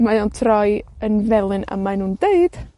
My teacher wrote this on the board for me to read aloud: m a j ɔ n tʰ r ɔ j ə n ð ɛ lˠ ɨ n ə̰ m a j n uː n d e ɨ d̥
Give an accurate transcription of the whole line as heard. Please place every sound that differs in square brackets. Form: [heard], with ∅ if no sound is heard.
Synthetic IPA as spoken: m a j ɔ n tʰ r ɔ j ə n [v] ɛ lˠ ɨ n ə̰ m a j n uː n d e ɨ d̥